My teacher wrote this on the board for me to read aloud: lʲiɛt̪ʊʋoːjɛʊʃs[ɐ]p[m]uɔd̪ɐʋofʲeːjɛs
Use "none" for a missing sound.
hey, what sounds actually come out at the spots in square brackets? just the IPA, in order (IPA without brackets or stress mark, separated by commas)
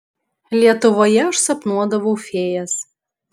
ɐ, n